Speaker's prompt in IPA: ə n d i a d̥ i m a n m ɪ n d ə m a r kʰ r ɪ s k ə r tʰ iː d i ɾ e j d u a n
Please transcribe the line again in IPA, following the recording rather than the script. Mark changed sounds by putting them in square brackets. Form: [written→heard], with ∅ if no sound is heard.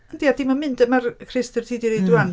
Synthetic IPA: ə n d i a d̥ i m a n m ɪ n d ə m a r kʰ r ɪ s [k→t] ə r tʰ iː d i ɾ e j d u a n